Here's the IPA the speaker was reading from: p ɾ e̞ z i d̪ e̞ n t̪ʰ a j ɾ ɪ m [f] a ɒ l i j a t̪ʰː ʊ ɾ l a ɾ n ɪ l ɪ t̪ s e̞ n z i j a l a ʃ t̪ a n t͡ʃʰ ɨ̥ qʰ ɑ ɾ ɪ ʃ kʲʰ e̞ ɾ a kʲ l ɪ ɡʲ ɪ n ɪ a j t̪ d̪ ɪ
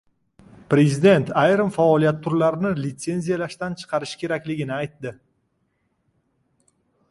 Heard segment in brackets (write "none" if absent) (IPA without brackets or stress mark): f